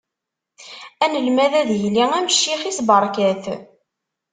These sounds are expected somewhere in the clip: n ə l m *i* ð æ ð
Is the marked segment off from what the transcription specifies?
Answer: yes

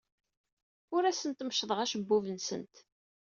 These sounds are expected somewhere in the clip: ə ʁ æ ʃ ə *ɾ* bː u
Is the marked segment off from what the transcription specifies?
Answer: yes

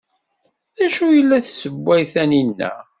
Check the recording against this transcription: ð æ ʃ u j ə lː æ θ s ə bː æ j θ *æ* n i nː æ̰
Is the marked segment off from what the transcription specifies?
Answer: no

